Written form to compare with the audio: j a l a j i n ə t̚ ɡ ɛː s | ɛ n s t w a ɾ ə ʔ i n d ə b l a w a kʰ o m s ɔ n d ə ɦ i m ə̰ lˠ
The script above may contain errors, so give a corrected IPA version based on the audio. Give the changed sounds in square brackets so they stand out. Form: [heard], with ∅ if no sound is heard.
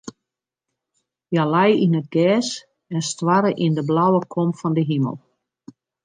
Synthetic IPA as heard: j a l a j i n ə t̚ ɡ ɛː s | ɛ n s t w a ɾ ə ʔ i n d ə b l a w [ə] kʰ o m [f] ɔ n d ə ɦ i m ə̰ lˠ